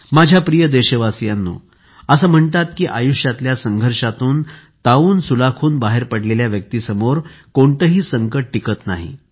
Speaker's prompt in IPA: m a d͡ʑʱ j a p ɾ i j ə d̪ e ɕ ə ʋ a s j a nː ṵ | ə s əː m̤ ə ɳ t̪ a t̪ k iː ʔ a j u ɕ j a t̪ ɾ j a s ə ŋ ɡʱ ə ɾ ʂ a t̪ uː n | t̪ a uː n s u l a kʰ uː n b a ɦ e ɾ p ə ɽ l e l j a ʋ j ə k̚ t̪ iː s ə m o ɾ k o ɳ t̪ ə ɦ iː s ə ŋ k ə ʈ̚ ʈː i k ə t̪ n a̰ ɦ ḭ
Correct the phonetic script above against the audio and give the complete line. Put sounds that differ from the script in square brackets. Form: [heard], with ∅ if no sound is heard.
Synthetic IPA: m a d͡ʑʱ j a p ɾ i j ə d̪ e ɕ ə ʋ a s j a nː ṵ | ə s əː m̤ ə ɳ t̪ a t̪ k iː ʔ a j u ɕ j a t̪ [l] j a s ə ŋ ɡʱ ə ɾ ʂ a t̪ uː n | t̪ a uː n s u l a kʰ uː n b a ɦ e ɾ p ə ɽ l e l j a ʋ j ə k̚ t̪ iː s ə m o ɾ k o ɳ t̪ ə ɦ iː s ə ŋ k ə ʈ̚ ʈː i k ə t̪ n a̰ ɦ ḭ